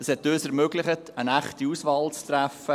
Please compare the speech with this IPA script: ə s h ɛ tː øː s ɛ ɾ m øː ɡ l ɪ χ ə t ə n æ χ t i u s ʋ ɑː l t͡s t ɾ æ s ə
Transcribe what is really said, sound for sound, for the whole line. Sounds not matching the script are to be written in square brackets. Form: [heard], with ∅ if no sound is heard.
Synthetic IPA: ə s h ɛ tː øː s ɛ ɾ m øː ɡ l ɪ χ ə t ə n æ χ t i u s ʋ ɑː l t͡s t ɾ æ [f] ə